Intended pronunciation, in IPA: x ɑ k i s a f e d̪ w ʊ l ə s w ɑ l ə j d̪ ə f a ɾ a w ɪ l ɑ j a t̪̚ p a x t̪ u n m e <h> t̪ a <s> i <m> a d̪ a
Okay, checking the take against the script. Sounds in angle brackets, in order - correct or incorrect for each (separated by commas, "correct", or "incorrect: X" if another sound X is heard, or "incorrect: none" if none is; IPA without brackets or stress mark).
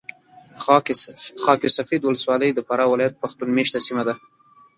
incorrect: ʃ, correct, correct